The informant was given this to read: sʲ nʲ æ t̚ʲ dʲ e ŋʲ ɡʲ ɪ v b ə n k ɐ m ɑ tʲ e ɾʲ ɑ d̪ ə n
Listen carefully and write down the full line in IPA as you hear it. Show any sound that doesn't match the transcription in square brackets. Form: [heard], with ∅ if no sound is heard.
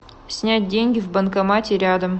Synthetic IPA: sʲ nʲ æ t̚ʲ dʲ e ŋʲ ɡʲ ɪ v b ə n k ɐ m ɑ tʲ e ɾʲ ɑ d̪ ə [m]